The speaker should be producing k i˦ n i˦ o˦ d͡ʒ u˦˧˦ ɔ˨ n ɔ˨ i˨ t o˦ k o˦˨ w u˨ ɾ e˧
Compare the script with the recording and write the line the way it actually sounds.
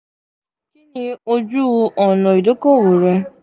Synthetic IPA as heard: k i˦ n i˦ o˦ d͡ʒ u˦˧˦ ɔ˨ n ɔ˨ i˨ d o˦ k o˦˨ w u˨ ɾ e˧